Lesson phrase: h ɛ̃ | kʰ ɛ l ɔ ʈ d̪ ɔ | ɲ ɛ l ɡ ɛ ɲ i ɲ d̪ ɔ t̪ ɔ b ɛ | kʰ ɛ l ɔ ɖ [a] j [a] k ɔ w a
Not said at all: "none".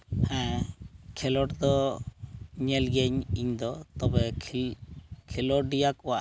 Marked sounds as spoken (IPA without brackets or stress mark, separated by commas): i, a